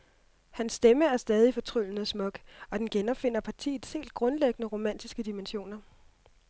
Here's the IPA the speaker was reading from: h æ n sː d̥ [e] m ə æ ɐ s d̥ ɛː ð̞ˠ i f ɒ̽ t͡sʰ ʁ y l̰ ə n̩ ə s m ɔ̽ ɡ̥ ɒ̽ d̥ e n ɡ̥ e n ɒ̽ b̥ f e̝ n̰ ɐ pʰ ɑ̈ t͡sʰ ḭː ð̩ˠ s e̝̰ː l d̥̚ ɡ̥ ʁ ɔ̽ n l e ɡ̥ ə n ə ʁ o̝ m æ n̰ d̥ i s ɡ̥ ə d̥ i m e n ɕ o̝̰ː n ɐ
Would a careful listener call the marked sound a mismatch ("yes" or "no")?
no